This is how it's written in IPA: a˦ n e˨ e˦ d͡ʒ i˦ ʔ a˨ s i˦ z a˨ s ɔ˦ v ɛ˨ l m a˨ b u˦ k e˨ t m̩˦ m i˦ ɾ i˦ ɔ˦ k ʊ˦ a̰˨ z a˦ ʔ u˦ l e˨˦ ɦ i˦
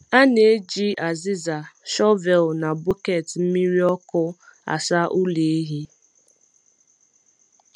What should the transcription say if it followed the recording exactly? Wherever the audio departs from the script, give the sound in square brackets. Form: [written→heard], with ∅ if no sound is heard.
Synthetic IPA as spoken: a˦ n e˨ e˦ d͡ʒ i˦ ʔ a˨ [s→z] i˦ z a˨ [s→ʃ] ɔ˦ v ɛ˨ l [m→n] a˨ b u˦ k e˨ t m̩˦ m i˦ ɾ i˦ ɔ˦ k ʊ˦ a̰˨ [z→s] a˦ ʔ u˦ l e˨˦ ɦ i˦